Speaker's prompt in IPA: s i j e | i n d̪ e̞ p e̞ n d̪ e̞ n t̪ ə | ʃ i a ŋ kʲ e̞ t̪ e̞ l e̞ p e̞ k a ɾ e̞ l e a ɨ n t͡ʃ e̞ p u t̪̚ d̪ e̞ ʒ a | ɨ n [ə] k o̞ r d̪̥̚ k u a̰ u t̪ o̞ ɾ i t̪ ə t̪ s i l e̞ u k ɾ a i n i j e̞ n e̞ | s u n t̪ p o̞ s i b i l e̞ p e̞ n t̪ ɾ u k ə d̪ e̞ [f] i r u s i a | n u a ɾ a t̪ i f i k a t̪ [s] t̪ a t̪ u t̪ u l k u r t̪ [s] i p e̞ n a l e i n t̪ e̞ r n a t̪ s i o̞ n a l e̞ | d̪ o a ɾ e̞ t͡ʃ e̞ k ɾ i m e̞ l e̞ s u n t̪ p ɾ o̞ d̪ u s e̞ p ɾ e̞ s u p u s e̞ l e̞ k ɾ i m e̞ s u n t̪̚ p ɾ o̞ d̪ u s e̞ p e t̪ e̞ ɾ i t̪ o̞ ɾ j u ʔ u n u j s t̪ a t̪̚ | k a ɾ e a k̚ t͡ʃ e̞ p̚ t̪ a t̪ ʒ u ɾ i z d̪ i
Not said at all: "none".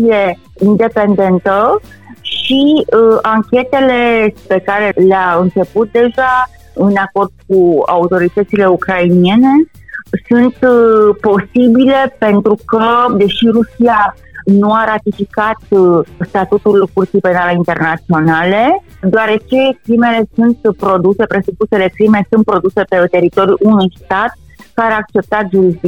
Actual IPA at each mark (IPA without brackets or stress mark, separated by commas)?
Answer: a, ʃ, s, s